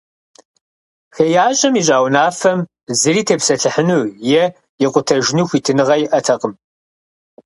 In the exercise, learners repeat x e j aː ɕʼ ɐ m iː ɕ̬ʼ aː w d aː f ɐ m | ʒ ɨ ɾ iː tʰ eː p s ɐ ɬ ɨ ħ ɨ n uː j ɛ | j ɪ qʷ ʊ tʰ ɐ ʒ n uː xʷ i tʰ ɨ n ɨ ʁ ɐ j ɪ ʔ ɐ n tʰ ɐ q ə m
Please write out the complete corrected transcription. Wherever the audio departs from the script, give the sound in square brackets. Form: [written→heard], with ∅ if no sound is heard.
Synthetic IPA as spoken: x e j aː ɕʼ ɐ m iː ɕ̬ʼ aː w [d→n] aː f ɐ m | [ʒ→z] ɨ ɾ iː tʰ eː p s ɐ ɬ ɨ ħ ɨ n uː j ɛ | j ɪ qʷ ʊ tʰ ɐ ʒ n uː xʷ i tʰ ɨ n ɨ ʁ ɐ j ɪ ʔ ɐ [n→∅] tʰ ɐ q ə m